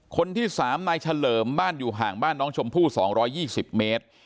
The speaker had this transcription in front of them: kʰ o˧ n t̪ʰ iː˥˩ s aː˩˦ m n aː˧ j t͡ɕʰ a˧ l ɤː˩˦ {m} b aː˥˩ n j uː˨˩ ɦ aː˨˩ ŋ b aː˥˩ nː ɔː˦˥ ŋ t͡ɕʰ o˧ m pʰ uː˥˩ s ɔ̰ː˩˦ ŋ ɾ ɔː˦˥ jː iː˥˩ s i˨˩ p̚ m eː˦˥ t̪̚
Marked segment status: correct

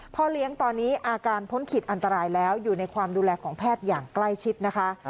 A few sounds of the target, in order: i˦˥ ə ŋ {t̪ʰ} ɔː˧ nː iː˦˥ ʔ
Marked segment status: incorrect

